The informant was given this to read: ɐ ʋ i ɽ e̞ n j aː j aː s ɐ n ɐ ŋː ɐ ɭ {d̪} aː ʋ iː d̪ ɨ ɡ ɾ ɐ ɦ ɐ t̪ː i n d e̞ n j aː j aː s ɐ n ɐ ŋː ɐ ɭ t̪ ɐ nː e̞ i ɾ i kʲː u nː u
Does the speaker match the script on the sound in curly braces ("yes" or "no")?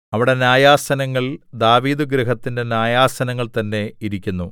yes